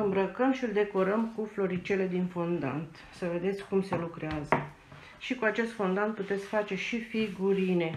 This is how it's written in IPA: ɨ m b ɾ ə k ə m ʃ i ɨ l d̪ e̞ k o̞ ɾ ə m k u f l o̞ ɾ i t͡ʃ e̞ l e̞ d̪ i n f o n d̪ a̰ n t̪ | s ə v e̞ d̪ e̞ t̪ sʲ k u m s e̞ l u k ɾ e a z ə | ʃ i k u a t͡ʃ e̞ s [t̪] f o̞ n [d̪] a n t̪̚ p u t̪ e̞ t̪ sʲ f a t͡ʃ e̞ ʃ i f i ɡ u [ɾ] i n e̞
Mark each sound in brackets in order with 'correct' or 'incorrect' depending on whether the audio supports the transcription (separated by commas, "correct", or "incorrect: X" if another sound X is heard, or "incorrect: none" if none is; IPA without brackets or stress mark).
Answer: correct, correct, correct